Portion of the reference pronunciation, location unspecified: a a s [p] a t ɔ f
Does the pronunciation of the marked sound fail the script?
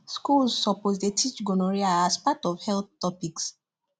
no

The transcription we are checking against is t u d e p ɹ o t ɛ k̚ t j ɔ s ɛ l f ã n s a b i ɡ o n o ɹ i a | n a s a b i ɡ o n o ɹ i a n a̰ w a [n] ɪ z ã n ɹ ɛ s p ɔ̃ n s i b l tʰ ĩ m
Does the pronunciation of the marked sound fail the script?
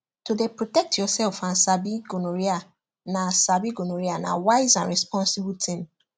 yes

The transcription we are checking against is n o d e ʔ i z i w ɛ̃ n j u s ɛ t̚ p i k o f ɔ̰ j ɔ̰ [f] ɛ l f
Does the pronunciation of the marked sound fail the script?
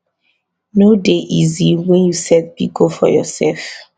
yes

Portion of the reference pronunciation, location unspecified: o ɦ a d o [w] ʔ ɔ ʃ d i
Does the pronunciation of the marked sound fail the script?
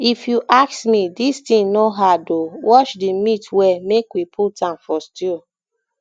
no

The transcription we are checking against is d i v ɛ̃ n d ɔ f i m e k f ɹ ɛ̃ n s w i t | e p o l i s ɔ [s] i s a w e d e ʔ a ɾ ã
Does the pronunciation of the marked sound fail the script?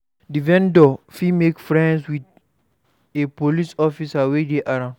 yes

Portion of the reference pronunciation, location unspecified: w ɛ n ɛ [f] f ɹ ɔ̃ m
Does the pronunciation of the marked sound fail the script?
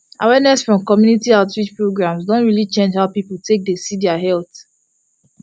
yes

